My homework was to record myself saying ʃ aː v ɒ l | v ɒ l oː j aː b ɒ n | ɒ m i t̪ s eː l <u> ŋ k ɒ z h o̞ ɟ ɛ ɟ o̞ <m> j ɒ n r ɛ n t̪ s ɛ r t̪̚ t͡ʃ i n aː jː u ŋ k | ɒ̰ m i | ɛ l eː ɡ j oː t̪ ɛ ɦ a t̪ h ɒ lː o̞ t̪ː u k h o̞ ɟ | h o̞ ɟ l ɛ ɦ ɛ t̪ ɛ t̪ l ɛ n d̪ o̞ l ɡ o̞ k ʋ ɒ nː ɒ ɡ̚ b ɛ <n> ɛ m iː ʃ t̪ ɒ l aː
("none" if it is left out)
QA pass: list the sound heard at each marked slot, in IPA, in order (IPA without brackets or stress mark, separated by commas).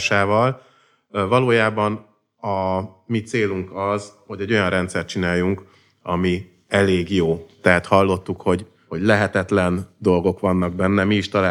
u, none, nː